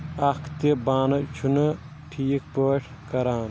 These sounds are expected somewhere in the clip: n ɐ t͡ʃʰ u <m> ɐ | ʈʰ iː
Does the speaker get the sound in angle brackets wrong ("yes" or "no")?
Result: yes